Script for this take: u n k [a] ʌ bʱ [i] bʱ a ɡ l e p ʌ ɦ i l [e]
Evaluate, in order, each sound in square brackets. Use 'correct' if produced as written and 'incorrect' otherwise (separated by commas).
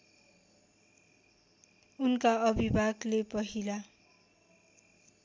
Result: correct, correct, incorrect